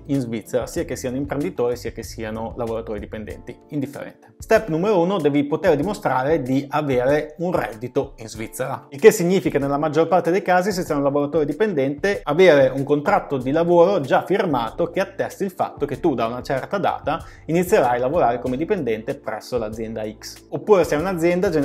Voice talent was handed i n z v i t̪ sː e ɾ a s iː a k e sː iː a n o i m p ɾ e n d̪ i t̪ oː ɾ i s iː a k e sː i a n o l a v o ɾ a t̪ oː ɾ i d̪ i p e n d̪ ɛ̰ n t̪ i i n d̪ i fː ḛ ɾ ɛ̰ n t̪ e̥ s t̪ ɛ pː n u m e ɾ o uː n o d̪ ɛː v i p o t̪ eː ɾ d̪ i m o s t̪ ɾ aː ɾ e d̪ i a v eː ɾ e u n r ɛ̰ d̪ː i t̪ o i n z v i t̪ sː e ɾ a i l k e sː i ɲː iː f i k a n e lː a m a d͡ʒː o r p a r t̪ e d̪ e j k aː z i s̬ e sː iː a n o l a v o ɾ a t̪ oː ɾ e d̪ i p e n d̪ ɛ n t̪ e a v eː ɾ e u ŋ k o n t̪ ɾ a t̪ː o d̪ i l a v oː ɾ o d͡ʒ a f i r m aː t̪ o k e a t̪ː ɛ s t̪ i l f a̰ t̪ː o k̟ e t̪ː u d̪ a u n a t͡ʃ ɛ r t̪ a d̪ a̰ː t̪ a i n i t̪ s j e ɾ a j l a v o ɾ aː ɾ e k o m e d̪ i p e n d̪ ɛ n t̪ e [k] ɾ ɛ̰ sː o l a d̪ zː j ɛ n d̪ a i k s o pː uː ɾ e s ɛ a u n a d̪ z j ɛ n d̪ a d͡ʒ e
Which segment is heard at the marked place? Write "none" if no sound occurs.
p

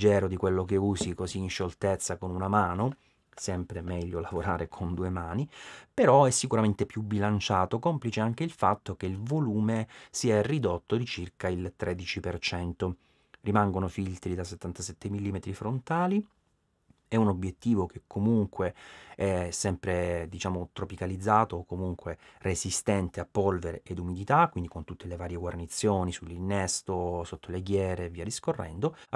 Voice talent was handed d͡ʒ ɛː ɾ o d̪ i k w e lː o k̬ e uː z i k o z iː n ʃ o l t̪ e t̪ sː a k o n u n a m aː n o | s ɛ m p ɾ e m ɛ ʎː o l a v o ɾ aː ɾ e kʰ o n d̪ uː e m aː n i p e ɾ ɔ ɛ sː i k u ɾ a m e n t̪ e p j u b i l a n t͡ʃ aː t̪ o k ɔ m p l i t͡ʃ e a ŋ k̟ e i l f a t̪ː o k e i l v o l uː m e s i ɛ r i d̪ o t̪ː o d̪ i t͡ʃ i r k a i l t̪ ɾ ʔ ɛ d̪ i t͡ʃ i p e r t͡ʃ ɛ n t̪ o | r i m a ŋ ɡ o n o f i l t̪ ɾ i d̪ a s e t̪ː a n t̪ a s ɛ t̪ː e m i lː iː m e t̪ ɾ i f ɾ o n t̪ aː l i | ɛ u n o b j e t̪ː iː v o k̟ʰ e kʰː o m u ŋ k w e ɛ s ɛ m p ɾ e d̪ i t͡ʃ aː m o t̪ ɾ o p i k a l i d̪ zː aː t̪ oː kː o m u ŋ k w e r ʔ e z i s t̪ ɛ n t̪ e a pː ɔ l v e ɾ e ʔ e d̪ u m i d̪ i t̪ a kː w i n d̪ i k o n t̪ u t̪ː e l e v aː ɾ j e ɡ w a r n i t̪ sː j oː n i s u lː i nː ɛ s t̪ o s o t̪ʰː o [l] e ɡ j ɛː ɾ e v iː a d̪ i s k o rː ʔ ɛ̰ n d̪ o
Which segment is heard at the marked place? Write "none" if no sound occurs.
l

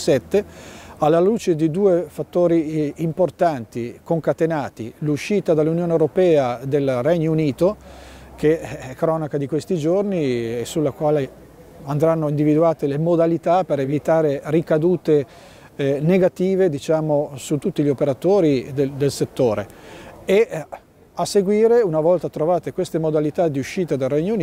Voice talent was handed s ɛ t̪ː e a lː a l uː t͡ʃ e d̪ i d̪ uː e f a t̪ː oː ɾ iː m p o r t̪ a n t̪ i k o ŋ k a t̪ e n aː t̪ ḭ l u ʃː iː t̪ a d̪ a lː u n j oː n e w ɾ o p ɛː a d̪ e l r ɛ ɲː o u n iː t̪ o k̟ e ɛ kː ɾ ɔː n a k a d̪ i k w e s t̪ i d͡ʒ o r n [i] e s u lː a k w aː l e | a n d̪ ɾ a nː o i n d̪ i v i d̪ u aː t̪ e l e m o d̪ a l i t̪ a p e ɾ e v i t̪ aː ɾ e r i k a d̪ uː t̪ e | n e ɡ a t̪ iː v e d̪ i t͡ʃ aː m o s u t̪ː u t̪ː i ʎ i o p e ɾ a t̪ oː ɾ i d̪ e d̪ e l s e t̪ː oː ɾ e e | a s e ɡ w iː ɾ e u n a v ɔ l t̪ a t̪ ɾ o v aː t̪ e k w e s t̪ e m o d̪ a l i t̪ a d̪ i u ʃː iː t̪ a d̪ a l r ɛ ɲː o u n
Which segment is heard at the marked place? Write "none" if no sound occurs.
i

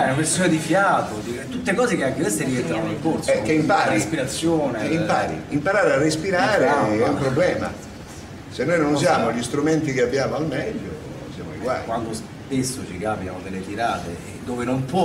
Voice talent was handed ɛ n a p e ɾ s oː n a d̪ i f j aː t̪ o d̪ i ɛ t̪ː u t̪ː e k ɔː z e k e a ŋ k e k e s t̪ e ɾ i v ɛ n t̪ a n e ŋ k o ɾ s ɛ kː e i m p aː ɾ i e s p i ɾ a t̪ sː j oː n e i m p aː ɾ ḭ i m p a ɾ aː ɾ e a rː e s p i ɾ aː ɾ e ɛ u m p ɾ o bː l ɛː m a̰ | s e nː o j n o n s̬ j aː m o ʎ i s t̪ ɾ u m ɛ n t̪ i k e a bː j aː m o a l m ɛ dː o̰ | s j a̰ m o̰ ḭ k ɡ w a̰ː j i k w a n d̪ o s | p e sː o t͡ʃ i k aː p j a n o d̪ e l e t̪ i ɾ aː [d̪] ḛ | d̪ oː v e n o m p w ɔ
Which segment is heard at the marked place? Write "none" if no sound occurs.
t̪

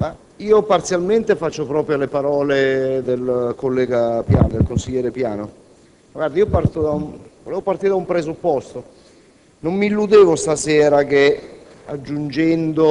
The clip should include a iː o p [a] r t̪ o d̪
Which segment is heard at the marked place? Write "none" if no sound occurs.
a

